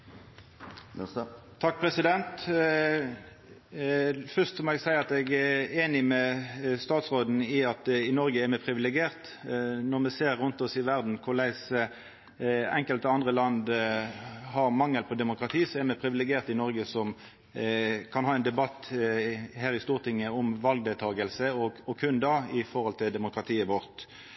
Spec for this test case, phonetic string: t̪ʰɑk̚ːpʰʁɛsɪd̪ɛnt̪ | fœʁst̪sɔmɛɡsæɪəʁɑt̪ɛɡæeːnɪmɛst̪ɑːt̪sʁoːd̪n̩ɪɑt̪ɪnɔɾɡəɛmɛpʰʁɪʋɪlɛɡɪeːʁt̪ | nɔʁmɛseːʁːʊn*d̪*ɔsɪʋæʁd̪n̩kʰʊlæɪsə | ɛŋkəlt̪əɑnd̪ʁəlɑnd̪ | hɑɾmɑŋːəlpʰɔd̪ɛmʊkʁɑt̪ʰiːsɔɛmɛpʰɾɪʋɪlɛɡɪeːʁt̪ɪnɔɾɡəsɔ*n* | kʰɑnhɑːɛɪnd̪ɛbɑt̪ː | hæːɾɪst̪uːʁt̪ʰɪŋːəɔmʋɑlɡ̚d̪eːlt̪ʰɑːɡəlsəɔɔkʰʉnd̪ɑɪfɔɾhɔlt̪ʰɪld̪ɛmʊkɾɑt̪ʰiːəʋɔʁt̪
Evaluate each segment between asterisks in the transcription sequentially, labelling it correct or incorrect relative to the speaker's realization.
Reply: incorrect, incorrect

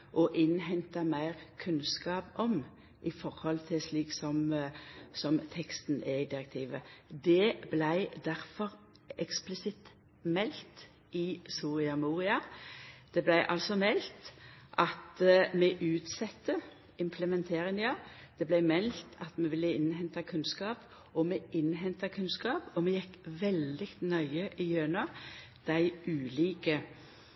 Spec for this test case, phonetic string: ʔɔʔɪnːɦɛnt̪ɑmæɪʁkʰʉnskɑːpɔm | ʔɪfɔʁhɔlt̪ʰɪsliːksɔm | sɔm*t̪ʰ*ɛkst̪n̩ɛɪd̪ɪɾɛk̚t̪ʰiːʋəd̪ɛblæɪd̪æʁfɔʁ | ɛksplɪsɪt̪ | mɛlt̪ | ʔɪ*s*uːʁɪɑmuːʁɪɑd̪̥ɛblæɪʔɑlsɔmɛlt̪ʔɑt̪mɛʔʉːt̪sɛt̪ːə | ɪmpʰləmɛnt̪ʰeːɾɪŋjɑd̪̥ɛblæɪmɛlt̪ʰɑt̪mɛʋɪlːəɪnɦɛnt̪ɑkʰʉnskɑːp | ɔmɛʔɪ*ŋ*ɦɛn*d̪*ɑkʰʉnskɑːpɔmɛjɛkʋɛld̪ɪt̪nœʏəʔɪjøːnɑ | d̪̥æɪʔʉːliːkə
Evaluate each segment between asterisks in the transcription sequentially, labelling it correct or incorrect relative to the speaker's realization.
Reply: correct, correct, incorrect, incorrect

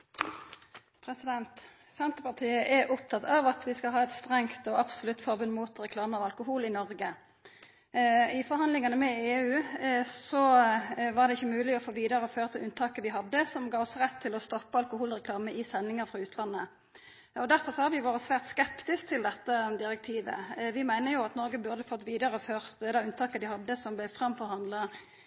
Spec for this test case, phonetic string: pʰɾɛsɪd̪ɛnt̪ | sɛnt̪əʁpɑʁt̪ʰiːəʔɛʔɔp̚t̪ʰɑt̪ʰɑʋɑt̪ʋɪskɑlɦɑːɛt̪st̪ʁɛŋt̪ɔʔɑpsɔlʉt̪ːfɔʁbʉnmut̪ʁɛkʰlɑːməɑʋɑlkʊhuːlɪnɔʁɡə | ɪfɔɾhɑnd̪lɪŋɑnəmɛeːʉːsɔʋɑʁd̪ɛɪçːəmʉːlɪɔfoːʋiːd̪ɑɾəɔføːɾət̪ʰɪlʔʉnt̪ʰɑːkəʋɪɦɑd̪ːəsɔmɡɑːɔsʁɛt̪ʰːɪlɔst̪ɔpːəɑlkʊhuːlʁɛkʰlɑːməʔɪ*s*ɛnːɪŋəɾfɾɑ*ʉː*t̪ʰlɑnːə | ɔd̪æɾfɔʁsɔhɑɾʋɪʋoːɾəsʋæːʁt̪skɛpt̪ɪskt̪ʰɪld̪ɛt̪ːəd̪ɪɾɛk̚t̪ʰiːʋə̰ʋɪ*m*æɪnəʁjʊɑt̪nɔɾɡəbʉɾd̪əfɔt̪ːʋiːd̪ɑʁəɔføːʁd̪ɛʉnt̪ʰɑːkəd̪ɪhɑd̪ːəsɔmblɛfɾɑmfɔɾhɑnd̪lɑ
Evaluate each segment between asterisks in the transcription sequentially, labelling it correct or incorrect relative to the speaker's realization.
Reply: correct, correct, correct

